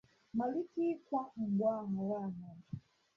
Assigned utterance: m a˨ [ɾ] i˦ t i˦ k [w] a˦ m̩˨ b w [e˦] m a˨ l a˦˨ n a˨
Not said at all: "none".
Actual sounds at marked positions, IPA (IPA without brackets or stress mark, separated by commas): l, w, a˦